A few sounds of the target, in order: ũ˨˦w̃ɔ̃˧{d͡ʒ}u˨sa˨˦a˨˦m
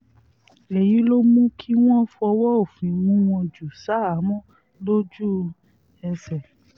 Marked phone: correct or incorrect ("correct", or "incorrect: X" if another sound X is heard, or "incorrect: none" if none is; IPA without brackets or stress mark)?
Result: correct